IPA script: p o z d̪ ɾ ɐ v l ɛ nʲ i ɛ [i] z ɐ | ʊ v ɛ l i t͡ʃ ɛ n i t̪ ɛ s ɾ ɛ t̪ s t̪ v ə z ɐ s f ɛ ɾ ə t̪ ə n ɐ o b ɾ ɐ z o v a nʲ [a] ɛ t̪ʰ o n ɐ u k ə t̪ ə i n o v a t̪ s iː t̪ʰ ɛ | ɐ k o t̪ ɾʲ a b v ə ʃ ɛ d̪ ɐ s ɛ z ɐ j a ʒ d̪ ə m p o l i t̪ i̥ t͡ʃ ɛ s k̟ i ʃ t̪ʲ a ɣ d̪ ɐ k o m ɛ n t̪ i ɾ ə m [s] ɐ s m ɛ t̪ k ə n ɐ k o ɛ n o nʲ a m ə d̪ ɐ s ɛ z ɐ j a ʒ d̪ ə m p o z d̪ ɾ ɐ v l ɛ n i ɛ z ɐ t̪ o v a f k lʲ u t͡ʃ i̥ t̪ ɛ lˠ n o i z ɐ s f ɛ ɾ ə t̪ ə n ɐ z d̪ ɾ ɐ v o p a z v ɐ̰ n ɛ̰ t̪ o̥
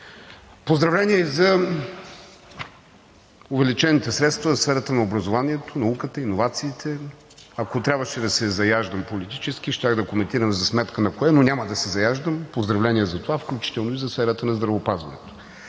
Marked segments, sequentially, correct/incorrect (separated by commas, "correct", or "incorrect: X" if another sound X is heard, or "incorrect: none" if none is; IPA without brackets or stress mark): correct, incorrect: i, incorrect: z